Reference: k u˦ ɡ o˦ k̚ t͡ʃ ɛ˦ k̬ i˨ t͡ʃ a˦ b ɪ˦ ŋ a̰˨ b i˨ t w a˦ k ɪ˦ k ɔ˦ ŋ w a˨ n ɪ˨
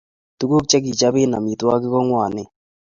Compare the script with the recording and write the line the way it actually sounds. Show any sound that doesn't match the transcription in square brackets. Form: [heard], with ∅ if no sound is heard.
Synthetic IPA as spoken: [t] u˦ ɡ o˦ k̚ t͡ʃ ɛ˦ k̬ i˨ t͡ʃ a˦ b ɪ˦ [n] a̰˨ [m] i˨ t w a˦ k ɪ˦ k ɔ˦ ŋ w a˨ n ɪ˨